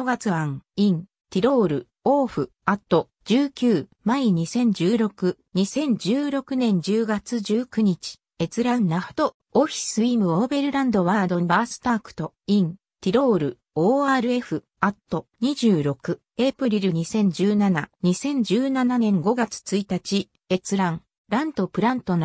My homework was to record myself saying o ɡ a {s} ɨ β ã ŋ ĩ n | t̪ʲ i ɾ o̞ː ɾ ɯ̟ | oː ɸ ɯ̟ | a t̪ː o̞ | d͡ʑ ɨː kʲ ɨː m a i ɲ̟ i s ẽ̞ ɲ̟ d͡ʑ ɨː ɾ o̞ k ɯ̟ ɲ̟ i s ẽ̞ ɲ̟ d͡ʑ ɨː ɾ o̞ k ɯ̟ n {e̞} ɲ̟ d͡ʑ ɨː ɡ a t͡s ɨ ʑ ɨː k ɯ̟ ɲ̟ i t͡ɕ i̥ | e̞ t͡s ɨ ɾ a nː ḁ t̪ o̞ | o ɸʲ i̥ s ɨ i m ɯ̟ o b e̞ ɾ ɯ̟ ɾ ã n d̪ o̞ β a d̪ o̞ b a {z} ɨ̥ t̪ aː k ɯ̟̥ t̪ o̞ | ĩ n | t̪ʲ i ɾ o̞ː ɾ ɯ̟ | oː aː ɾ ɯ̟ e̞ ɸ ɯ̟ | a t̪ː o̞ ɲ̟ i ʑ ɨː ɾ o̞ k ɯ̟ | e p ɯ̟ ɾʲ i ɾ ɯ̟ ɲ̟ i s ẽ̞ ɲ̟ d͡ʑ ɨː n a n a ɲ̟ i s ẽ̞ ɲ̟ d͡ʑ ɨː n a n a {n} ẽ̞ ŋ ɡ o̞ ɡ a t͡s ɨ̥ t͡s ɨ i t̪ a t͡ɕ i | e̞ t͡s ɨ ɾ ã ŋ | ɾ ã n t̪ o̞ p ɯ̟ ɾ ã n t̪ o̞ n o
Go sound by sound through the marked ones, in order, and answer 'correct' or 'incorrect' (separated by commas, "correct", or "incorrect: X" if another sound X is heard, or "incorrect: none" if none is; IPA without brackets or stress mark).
incorrect: t͡s, incorrect: ẽ̞, incorrect: s, correct